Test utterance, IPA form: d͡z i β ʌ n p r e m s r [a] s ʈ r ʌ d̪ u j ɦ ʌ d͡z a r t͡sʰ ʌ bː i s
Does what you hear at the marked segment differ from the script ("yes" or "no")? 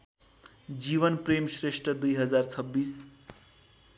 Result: yes